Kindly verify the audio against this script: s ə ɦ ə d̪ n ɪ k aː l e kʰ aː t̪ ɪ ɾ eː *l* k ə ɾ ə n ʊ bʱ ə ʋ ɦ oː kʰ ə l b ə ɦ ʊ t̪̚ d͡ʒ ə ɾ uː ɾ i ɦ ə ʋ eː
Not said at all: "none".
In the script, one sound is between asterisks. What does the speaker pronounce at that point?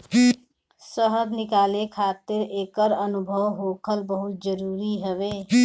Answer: none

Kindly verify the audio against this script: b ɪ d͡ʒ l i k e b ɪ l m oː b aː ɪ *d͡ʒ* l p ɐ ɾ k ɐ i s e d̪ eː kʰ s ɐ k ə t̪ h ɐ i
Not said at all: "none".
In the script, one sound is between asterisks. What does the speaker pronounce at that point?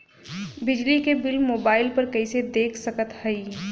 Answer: none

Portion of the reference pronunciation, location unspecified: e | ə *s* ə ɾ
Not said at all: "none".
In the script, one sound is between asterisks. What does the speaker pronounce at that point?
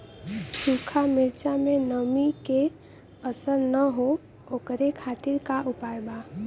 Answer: s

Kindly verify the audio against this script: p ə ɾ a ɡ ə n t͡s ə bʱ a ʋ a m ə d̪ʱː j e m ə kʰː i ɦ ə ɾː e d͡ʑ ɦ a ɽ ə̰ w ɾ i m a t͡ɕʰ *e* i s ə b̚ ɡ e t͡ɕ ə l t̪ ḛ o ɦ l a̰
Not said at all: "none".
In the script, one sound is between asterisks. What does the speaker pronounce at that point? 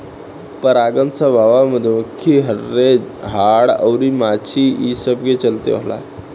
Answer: i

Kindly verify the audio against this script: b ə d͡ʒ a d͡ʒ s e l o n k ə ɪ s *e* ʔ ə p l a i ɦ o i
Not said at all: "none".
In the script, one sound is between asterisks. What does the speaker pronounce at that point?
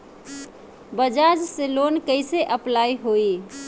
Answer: e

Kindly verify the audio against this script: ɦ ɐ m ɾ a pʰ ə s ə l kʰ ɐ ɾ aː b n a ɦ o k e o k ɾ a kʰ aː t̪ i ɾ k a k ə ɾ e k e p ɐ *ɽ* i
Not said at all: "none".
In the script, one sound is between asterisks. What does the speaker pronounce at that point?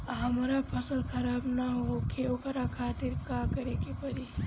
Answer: ɾ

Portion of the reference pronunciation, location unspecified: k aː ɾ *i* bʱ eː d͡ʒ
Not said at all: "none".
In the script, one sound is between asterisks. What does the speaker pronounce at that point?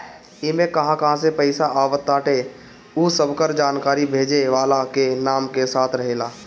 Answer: i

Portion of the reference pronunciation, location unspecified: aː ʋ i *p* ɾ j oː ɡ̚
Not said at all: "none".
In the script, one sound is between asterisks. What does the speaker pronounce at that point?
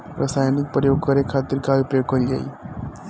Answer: p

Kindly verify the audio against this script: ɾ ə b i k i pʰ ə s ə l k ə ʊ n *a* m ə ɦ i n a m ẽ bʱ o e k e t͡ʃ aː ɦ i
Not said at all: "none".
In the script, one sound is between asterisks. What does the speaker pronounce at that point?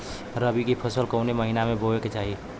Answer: e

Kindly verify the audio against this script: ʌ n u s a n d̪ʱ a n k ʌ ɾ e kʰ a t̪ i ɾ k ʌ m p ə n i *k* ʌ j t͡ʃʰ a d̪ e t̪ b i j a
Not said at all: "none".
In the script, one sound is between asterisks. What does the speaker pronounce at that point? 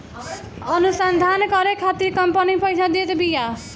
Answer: p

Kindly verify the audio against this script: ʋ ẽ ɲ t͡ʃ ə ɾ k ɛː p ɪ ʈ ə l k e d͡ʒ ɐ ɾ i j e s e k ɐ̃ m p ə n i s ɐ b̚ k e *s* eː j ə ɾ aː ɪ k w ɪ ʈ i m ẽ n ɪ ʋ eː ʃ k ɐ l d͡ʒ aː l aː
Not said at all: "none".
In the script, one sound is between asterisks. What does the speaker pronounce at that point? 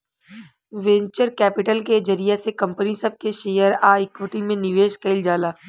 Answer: ʃ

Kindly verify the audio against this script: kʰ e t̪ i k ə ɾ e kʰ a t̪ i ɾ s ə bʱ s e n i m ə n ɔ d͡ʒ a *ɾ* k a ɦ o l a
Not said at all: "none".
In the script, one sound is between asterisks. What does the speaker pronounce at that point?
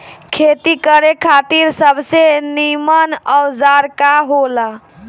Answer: ɾ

